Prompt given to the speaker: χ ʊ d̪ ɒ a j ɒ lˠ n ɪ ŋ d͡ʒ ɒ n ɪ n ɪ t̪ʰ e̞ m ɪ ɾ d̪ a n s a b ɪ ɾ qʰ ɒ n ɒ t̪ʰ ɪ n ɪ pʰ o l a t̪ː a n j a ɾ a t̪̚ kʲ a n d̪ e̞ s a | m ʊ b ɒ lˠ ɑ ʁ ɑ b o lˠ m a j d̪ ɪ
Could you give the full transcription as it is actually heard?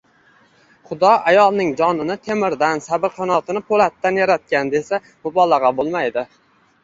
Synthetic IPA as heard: χ ʊ d̪ ɒ a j ɒ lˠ n ɪ ŋ d͡ʒ ɒ n ɪ n ɪ t̪ʰ e̞ m ɪ ɾ d̪ a n s a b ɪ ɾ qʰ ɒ n ɒ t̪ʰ ɪ n ɪ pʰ o l a t̪ː a n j a ɾ a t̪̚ kʲ a n d̪ e̞ s a | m ʊ b ɒ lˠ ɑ ʁ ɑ b o lˠ m a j d̪ ɪ